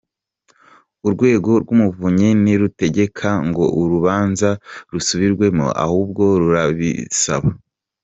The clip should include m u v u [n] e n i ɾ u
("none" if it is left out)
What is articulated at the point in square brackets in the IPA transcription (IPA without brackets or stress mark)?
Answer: ɲ